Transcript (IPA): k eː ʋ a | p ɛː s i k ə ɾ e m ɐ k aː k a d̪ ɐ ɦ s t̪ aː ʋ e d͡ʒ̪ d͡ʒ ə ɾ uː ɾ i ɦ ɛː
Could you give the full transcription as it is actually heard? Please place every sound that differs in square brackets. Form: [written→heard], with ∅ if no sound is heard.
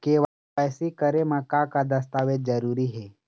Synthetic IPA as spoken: k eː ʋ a | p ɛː s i k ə ɾ e m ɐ k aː k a d̪ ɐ [ɦ→∅] s t̪ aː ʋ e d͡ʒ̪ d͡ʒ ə ɾ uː ɾ i ɦ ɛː